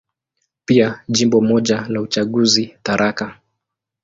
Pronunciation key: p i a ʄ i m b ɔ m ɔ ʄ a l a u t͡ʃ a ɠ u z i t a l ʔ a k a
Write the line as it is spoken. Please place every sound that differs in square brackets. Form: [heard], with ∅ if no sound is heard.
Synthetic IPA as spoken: p i a ʄ i m b ɔ m ɔ ʄ a l a u t͡ʃ a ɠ u z i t a [ɾ] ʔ a k a